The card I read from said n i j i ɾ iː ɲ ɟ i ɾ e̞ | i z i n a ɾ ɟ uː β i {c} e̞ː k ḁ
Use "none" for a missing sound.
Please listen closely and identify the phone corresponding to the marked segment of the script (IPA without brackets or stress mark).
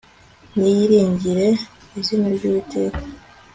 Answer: t